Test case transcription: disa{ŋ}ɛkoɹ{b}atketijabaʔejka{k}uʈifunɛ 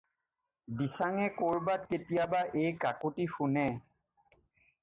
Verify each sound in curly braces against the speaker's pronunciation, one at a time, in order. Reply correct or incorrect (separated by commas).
correct, correct, correct